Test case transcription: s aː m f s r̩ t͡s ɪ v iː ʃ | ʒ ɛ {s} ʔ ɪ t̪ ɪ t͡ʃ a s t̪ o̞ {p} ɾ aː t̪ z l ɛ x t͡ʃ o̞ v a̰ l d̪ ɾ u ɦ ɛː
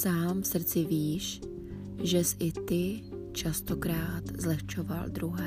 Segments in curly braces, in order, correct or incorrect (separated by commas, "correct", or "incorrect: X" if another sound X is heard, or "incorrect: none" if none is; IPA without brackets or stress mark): correct, incorrect: k